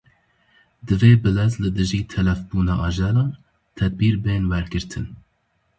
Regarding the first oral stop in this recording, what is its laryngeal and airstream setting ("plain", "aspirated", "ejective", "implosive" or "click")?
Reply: plain